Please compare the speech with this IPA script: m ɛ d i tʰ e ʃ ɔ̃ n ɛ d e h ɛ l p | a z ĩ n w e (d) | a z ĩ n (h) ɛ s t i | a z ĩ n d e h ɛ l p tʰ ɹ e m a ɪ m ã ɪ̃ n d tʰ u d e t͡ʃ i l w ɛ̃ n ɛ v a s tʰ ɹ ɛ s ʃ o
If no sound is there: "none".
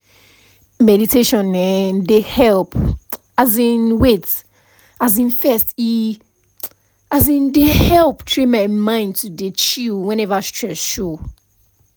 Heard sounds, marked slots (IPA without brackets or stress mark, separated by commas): t, f